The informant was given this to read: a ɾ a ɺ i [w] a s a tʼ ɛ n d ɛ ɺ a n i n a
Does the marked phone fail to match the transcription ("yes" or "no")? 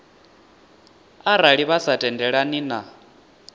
yes